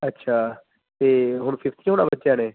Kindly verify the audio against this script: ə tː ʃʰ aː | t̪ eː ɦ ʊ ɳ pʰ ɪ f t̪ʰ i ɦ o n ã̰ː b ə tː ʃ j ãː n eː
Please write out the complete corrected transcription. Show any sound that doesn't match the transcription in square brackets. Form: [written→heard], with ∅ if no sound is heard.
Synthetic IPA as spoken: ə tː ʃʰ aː | t̪ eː ɦ ʊ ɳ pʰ ɪ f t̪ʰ i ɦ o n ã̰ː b ə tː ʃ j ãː n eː